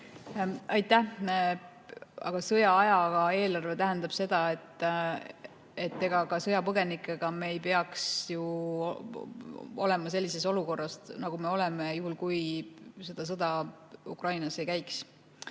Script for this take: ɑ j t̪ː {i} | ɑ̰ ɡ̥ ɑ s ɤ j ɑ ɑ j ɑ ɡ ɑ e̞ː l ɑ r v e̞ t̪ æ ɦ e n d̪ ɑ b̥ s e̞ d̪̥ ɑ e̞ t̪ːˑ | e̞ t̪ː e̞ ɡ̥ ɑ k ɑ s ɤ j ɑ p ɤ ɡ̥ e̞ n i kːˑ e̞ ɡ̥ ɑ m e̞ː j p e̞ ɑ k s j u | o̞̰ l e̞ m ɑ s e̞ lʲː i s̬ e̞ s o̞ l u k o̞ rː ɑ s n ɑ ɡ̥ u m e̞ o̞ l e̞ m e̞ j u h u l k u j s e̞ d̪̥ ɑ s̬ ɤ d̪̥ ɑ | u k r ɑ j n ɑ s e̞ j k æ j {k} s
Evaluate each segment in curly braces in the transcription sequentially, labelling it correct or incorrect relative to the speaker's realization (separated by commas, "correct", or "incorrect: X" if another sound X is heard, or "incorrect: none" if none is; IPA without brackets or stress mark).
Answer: incorrect: æ, correct